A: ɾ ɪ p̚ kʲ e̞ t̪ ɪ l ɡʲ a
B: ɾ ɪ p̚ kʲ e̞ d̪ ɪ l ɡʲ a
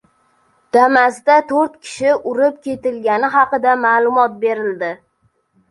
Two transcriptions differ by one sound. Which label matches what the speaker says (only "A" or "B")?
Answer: A